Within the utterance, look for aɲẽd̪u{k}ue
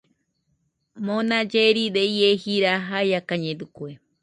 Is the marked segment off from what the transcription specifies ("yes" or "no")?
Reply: no